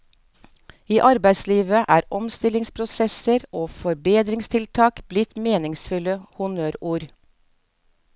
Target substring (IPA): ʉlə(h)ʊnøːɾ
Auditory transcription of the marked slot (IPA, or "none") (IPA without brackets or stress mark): h